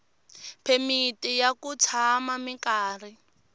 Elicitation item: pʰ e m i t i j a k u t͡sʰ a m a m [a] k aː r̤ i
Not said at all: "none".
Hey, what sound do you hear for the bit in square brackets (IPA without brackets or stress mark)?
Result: i